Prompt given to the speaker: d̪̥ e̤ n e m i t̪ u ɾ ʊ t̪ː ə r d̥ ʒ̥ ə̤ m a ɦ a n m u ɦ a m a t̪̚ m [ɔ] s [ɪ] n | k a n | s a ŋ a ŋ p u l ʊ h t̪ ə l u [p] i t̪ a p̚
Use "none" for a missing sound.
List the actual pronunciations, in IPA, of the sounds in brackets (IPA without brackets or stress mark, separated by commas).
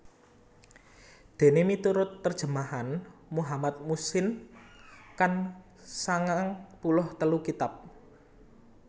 u, ɪ, k